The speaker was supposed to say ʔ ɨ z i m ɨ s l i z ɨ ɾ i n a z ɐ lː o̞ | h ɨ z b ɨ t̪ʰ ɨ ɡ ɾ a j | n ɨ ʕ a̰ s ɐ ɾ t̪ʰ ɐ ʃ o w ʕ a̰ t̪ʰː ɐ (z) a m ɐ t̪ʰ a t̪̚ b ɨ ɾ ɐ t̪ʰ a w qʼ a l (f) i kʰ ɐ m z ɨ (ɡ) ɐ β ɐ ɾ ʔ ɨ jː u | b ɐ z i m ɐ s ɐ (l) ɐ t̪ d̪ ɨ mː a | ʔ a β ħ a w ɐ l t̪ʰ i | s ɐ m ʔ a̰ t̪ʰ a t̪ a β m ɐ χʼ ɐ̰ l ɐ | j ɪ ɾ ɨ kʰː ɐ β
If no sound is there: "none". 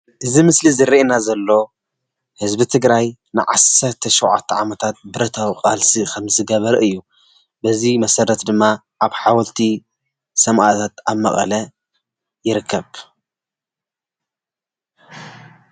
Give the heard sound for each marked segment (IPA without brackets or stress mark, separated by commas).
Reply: ʕ, s, ɡ, ɾ